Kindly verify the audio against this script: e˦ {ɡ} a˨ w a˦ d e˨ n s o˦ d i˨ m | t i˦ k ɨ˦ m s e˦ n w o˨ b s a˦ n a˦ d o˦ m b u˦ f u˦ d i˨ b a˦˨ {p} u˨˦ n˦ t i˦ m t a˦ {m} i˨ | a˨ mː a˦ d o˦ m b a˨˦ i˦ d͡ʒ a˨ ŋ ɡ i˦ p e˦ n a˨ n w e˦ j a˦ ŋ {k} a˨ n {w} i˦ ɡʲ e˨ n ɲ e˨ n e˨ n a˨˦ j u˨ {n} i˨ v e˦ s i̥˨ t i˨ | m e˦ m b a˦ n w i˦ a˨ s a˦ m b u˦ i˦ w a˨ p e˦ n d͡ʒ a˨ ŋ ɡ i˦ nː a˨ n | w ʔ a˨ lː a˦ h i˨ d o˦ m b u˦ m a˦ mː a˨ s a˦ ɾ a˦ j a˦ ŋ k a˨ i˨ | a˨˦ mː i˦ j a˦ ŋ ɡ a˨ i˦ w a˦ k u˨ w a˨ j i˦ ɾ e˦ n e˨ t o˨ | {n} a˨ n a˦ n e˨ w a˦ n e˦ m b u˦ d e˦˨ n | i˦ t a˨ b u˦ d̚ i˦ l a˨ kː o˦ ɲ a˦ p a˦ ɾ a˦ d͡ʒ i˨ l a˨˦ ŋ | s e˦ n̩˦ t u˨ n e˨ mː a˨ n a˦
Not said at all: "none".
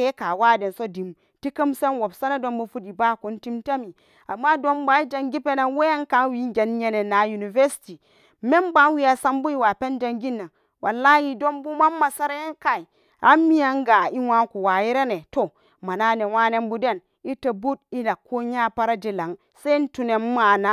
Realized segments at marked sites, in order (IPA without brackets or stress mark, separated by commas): k, k, m, k, w, n, m